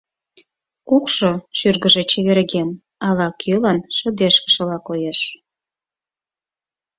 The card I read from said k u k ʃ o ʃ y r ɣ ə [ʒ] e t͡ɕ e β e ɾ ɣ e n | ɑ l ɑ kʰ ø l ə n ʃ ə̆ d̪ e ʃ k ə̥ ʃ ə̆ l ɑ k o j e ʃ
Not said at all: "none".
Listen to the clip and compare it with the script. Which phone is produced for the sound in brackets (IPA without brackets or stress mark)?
ʒ